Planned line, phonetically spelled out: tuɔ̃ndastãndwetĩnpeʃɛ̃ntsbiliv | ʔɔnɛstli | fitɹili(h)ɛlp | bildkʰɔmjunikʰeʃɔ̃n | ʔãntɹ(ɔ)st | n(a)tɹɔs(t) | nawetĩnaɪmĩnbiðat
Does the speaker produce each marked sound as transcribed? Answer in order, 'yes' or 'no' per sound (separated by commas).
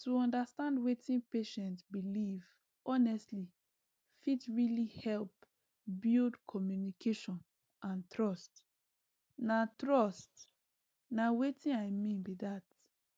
yes, yes, yes, yes